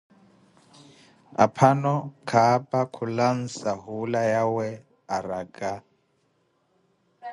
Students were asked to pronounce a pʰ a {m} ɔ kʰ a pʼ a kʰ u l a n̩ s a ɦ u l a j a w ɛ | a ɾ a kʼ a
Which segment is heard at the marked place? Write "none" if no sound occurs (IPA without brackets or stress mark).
n